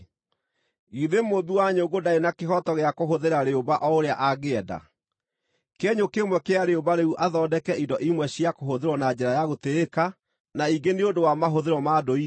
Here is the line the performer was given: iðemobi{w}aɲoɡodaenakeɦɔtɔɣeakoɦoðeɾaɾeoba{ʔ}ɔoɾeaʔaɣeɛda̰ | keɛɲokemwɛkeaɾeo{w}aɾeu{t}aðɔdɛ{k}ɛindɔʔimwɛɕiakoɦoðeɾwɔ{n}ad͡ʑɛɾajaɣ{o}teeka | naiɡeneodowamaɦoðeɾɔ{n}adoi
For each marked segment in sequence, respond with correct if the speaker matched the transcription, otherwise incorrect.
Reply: correct, correct, incorrect, incorrect, correct, correct, correct, incorrect

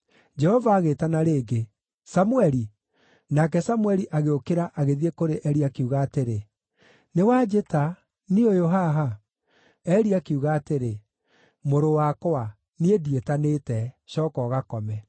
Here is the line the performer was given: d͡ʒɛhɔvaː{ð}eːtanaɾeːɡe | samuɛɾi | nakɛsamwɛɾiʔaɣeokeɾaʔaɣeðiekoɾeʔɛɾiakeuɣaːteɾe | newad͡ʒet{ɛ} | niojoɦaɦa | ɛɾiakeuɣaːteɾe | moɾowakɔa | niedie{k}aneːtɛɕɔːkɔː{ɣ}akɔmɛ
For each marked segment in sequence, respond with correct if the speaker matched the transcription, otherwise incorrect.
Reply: incorrect, incorrect, incorrect, correct

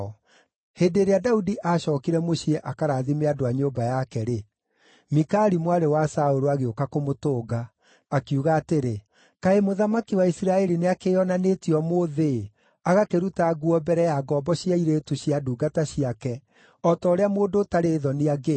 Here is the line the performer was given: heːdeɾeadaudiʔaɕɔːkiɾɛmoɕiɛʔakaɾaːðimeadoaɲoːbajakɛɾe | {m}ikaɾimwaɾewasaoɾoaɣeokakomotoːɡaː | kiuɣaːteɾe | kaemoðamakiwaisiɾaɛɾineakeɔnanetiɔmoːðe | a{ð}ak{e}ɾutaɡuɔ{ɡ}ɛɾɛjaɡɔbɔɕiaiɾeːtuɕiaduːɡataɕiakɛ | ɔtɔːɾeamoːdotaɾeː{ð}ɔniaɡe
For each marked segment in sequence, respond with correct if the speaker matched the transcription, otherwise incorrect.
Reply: correct, incorrect, correct, incorrect, correct

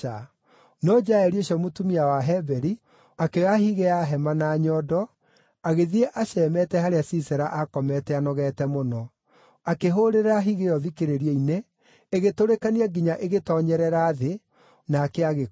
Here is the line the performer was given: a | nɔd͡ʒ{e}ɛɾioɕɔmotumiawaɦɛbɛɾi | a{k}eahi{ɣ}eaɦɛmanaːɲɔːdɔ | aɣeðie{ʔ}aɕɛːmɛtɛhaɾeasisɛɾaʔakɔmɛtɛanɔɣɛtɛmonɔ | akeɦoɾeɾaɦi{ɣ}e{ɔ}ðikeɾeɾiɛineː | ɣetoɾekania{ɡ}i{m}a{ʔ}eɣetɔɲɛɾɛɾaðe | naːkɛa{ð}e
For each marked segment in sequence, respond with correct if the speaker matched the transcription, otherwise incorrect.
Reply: incorrect, correct, correct, correct, correct, correct, correct, incorrect, correct, incorrect

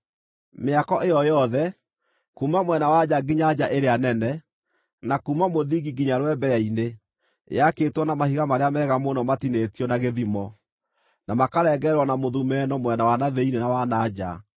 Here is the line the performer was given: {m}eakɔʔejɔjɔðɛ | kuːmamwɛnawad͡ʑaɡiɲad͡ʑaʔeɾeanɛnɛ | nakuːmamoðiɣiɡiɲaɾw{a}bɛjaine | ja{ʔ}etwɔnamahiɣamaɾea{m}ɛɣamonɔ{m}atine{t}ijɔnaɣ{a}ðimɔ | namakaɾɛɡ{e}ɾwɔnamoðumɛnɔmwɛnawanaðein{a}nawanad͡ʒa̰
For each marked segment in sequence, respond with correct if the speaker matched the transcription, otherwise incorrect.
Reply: correct, incorrect, incorrect, correct, correct, correct, incorrect, incorrect, incorrect

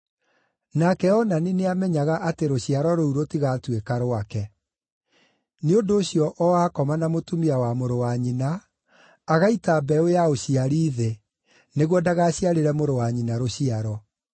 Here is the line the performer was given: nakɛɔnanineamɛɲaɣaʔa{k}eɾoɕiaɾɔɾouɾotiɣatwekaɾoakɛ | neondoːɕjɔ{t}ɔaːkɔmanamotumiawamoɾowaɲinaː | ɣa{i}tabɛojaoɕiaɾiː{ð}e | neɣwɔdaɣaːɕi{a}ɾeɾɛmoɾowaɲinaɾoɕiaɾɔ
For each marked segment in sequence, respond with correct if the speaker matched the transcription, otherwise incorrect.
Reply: incorrect, incorrect, correct, correct, correct

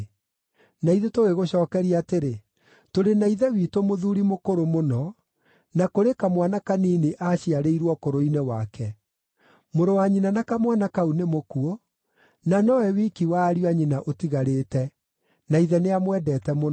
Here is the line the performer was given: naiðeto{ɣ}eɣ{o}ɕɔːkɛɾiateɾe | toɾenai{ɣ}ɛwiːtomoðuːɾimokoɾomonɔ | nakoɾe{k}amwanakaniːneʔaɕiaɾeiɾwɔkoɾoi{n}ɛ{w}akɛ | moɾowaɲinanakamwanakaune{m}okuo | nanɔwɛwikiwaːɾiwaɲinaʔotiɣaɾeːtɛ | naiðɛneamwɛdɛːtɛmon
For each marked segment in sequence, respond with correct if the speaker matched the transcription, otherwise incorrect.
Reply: correct, correct, incorrect, correct, correct, correct, correct

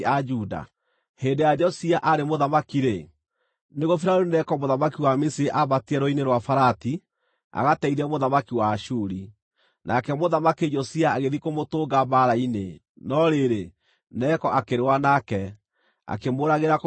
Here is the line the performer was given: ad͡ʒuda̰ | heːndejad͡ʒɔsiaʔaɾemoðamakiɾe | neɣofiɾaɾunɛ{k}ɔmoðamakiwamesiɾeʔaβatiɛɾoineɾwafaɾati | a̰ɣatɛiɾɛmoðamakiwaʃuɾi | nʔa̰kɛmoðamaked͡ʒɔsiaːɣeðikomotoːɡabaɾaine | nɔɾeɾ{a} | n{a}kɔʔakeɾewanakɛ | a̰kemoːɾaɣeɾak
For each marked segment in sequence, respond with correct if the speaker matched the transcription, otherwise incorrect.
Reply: correct, incorrect, incorrect

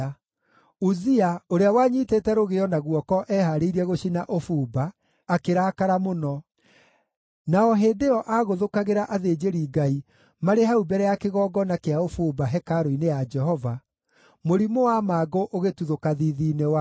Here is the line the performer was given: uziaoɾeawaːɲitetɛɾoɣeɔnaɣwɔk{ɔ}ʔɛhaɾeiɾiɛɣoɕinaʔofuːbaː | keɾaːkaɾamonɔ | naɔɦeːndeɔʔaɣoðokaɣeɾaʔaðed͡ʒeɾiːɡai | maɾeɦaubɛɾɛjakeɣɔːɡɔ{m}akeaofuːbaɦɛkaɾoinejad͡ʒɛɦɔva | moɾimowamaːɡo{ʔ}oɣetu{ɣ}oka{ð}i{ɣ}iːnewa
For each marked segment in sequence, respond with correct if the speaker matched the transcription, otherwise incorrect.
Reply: correct, incorrect, correct, incorrect, correct, incorrect

